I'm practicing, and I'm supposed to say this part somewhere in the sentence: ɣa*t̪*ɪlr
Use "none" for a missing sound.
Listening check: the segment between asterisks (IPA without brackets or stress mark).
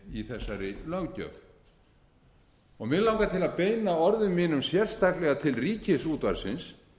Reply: t̪ʰ